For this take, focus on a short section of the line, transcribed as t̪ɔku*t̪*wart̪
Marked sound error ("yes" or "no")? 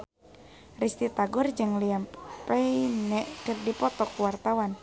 yes